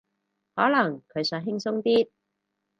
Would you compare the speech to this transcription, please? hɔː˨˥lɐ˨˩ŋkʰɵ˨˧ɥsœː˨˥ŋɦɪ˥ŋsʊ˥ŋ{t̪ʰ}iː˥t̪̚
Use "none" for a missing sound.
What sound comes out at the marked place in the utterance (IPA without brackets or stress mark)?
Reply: t̪